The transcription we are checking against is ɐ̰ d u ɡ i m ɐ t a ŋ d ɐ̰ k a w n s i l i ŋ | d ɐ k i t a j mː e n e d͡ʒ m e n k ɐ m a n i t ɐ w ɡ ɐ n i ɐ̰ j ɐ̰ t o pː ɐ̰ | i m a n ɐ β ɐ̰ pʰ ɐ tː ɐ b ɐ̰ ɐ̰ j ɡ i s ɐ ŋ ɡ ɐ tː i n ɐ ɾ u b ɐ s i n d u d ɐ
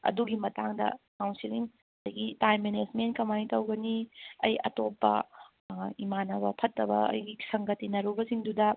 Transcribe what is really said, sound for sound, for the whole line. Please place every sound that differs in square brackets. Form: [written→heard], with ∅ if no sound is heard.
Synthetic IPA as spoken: ɐ̰ d u ɡ i m ɐ t a ŋ d ɐ̰ k a w n s i l i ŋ | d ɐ [k→ɡ] i t a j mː e n e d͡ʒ m e n k ɐ m a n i t ɐ w ɡ ɐ n i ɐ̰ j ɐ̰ t o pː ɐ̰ | i m a n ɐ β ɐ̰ pʰ ɐ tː ɐ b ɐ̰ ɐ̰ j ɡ i s ɐ ŋ ɡ ɐ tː i n ɐ ɾ u b ɐ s i [n→ŋ] d u d ɐ